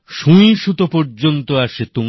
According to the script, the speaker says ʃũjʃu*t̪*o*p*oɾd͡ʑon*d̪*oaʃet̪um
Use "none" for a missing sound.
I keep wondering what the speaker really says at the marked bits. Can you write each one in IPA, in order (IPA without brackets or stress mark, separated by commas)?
t̪, p, t̪